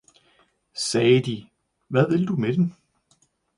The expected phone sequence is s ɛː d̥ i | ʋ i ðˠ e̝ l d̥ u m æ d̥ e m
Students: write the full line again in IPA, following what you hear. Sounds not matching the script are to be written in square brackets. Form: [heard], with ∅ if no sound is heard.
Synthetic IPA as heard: s ɛː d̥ i | ʋ [æ] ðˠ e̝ l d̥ u m [e] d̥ e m